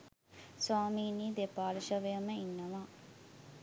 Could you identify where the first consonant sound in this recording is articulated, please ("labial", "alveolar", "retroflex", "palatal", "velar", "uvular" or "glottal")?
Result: alveolar